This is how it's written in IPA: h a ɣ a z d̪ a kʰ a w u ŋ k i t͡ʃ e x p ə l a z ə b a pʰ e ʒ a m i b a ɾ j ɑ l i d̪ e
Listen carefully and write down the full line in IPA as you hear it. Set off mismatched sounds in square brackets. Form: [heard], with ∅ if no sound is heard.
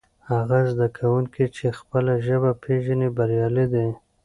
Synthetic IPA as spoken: h a ɣ a z d̪ a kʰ a w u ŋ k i t͡ʃ e x p ə l a [ʒ] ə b a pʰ e ʒ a [n] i b a ɾ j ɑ l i d̪ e